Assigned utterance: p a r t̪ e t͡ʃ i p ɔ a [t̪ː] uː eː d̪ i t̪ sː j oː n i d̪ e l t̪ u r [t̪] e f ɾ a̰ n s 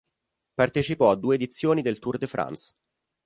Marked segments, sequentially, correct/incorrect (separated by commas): incorrect, incorrect